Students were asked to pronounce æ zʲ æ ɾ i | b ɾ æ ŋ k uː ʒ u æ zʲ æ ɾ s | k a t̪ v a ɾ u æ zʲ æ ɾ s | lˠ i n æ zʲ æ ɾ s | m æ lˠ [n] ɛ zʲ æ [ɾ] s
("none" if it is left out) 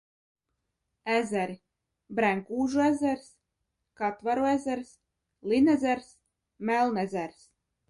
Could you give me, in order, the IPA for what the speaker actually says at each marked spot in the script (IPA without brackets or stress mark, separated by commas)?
n, ɾ